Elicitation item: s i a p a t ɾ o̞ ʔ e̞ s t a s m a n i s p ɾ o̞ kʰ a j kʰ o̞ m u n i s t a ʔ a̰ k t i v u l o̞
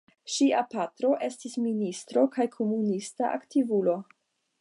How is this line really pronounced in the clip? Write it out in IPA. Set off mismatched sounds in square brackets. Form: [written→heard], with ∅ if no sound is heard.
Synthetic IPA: [s→ʃ] i a p a t ɾ o̞ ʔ e̞ s t [a→i] s m [a→i] n i s [p→t] ɾ o̞ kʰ a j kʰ o̞ m u n i s t a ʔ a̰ k t i v u l o̞